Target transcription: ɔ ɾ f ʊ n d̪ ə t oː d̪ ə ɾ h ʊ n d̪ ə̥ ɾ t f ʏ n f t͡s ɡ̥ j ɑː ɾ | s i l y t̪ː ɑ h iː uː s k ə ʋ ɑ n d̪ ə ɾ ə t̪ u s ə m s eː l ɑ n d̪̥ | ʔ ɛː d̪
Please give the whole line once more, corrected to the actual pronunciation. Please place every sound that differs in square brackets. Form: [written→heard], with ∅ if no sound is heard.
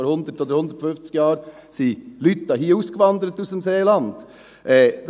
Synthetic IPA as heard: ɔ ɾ [f→h] ʊ n d̪ ə t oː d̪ ə ɾ h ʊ n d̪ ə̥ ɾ t f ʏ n f t͡s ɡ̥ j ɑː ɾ | s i l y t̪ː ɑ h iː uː s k ə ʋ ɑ n d̪ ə ɾ ə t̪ u s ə m s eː l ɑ n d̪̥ | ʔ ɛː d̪